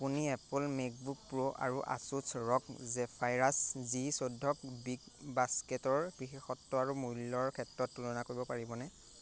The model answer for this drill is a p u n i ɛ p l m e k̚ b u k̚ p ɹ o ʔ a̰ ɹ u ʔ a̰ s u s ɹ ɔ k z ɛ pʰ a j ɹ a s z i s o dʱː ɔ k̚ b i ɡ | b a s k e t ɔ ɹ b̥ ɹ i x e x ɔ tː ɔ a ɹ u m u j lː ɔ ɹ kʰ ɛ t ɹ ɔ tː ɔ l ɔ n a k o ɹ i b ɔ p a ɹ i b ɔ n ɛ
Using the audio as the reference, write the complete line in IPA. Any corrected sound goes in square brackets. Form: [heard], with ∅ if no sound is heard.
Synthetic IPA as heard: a p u n i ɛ p l m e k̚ b u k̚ p ɹ o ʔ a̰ ɹ u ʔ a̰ s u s ɹ ɔ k z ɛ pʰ a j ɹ a s z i s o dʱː ɔ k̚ b i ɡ | b a s k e t ɔ ɹ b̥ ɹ i x e x ɔ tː ɔ a ɹ u m u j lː ɔ ɹ kʰ ɛ t ɹ ɔ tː [u] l ɔ n a k o ɹ i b ɔ p a ɹ i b ɔ n ɛ